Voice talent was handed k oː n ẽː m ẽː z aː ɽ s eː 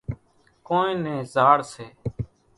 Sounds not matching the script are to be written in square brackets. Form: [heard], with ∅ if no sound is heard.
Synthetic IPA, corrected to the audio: k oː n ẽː [n] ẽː z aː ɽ s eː